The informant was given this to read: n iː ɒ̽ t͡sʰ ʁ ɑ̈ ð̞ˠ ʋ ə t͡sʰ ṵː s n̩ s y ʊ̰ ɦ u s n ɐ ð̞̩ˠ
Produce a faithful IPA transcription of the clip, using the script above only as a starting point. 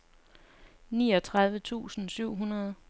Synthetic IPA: n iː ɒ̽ t͡sʰ ʁ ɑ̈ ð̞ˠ ʋ ə t͡sʰ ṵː s n̩ s y ʊ̰ ɦ u n ɐ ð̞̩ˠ